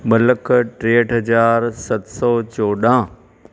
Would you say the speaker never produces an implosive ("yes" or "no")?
no